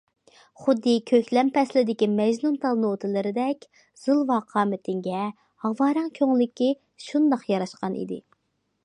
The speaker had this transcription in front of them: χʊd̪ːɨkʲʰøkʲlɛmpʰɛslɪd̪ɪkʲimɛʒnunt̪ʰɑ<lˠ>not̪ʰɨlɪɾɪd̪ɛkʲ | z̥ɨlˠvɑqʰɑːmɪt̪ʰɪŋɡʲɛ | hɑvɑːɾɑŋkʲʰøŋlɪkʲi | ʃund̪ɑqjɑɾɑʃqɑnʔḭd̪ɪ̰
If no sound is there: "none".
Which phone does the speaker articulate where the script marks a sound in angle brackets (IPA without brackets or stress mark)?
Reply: lˠ